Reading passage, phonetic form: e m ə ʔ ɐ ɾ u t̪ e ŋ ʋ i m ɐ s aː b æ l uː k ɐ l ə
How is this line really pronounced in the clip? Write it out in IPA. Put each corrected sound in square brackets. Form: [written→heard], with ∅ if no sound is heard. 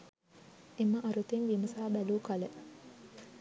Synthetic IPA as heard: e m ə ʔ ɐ ɾ u t̪ e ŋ ʋ i m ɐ s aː b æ l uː k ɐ l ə